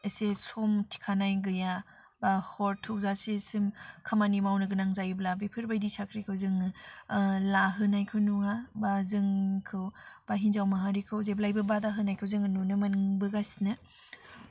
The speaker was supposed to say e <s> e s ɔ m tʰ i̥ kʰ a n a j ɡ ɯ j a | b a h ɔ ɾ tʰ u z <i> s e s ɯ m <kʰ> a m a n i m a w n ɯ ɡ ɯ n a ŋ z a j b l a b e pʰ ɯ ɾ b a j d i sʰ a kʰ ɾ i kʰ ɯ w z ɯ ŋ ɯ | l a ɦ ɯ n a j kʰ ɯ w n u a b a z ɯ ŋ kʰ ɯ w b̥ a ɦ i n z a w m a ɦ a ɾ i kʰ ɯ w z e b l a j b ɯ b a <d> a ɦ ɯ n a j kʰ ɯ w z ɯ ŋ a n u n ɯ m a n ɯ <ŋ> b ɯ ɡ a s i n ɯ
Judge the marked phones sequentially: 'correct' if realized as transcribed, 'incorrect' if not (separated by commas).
correct, incorrect, correct, correct, correct